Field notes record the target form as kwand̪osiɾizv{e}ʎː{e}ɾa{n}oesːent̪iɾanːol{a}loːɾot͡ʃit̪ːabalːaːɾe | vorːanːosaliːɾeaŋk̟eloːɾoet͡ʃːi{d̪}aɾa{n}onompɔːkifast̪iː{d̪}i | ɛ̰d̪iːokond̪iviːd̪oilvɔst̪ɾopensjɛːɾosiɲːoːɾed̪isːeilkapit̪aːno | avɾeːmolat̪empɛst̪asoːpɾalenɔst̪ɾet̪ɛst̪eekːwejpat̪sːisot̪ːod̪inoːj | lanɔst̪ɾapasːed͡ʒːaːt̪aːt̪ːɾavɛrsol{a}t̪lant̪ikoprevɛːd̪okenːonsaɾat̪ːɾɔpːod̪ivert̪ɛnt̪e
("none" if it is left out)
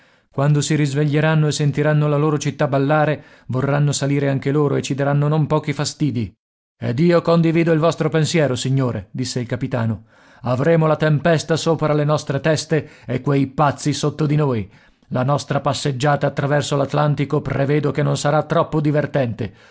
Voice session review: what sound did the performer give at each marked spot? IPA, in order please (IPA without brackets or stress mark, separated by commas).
e, e, nː, a, d̪, nː, d̪, a